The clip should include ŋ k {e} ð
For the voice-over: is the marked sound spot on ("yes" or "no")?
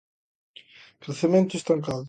no